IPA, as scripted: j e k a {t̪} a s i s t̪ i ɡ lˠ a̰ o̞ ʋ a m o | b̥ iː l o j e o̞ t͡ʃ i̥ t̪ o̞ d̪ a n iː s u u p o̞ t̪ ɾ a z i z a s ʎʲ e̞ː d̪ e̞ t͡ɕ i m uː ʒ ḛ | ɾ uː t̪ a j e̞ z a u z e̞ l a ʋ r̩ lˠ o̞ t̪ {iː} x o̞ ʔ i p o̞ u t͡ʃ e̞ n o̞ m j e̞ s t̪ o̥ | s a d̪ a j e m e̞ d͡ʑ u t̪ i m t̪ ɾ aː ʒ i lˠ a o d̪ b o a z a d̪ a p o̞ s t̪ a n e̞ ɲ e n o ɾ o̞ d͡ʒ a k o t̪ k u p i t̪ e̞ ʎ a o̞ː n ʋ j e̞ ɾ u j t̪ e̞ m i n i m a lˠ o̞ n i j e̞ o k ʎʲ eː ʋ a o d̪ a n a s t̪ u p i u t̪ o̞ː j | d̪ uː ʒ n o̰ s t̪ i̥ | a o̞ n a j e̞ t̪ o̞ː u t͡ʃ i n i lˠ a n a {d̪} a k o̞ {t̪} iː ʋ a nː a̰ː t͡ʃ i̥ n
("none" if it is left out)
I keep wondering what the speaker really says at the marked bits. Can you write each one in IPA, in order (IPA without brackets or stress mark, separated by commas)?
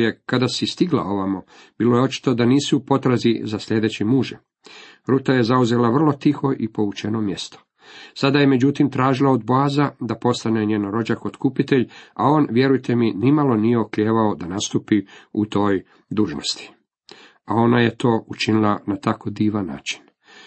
d̪, i, t̪, d̪